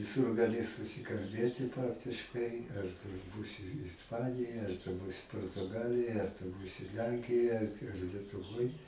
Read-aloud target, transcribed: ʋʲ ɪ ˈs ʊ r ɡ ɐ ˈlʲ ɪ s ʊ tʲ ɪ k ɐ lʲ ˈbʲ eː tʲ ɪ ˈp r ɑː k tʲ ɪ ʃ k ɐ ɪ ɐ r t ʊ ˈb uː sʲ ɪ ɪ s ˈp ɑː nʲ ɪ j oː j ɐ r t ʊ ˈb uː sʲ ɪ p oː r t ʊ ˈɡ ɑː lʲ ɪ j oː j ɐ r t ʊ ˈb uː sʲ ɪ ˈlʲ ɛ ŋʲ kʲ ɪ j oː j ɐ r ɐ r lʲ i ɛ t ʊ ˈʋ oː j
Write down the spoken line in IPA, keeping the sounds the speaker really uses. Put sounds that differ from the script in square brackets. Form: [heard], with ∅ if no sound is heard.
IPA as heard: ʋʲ ɪ ˈs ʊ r ɡ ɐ ˈlʲ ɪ s ʊ [sʲ] ɪ k ɐ lʲ ˈbʲ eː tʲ ɪ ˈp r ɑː k tʲ ɪ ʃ k ɐ ɪ ɐ r t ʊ ˈb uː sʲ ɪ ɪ s ˈp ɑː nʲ ɪ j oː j ɐ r t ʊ ˈb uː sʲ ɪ p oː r t ʊ ˈɡ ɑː lʲ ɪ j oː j ɐ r t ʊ ˈb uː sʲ ɪ ˈlʲ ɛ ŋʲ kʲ ɪ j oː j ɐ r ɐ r lʲ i ɛ t ʊ ˈʋ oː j